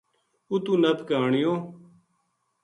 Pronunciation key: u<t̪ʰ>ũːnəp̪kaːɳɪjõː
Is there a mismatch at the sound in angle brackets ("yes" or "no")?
yes